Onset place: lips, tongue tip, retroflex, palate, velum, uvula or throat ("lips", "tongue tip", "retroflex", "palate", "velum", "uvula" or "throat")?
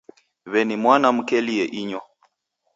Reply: lips